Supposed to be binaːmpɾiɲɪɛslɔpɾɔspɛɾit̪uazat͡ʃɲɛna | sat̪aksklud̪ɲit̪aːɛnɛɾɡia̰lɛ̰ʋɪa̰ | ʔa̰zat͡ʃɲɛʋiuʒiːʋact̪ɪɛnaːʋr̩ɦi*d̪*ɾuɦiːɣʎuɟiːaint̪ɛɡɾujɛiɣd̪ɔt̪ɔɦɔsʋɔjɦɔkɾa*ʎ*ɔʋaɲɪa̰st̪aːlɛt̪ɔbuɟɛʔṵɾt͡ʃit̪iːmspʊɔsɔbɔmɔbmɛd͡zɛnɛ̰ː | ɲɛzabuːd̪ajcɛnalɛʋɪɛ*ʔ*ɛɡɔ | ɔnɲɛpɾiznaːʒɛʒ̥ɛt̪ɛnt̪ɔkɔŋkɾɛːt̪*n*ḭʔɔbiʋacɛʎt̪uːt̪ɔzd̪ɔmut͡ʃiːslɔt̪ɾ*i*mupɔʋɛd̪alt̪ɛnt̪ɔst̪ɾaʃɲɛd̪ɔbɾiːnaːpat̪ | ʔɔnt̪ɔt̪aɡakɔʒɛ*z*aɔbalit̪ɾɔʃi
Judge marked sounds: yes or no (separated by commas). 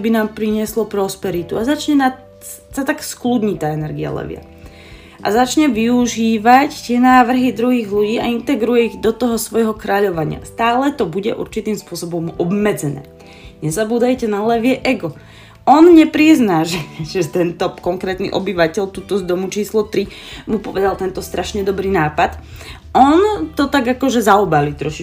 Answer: yes, yes, yes, yes, yes, yes